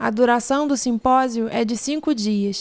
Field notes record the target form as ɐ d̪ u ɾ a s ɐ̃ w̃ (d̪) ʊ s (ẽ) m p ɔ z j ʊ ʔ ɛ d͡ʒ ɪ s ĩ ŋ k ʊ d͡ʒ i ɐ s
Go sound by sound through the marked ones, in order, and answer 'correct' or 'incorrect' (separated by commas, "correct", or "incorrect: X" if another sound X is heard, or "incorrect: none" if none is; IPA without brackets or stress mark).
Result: correct, incorrect: ĩ